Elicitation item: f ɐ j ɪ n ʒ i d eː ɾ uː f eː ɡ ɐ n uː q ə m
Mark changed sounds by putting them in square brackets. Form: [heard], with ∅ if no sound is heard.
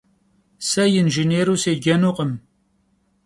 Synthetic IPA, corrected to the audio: [s] ɐ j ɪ n ʒ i [n] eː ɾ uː [s] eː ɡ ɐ n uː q ə m